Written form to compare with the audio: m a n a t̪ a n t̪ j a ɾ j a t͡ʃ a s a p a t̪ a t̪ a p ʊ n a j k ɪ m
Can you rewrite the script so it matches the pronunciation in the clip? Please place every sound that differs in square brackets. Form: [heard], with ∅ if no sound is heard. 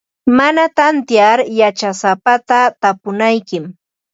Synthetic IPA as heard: m a n a t̪ a n t̪ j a ɾ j a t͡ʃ a s a p a t̪ a t̪ a p ʊ n a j k ɪ m